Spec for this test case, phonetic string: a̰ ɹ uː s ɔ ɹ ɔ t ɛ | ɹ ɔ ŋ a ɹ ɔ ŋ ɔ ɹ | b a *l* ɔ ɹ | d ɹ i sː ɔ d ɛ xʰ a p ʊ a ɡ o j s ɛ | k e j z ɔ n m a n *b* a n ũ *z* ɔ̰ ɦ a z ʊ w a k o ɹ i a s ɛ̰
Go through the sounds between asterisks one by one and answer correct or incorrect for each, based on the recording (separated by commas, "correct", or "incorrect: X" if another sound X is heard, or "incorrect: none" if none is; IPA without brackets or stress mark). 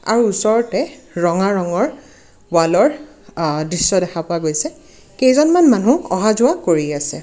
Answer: correct, incorrect: m, incorrect: none